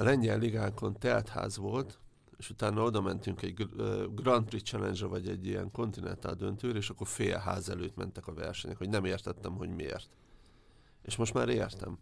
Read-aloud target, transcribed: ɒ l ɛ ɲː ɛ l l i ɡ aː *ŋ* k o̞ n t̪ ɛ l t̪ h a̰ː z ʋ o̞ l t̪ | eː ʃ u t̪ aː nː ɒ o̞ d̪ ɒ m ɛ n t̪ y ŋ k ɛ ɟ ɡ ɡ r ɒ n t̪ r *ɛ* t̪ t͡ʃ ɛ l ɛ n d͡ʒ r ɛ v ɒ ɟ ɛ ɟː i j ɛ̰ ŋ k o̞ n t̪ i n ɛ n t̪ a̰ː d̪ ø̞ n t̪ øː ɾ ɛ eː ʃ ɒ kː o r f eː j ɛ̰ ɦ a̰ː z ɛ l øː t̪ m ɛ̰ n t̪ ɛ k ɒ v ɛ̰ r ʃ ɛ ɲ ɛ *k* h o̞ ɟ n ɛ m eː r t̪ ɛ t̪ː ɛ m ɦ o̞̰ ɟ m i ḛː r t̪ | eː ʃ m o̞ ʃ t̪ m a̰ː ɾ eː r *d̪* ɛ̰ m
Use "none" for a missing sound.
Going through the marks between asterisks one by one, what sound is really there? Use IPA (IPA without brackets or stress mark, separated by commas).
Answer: ŋ, i, k, t̪